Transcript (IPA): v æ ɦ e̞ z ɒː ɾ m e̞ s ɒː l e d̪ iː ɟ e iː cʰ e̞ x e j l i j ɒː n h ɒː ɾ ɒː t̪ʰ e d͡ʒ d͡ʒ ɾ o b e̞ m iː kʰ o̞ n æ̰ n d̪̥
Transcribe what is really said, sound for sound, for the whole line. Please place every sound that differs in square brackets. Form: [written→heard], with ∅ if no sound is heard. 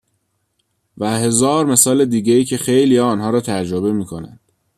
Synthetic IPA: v æ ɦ e̞ z ɒː ɾ m e̞ s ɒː l e d̪ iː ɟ e iː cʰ e̞ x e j l i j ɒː n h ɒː ɾ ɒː t̪ʰ [e→æ] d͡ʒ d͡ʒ ɾ o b e̞ m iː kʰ o̞ n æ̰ n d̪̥